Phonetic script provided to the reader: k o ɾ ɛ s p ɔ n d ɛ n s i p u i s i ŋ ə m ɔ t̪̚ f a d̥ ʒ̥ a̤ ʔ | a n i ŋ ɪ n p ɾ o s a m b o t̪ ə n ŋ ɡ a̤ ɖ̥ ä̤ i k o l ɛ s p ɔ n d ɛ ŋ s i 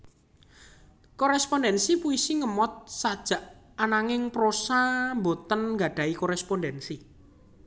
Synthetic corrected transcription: k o ɾ ɛ s p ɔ n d ɛ n s i p u i s i ŋ ə m ɔ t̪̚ s a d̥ ʒ̥ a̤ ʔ | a n a ŋ ɪ ŋ p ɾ o s a m b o t̪ ə n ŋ ɡ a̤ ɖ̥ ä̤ i k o ɾ ɛ s p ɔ n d ɛ n s i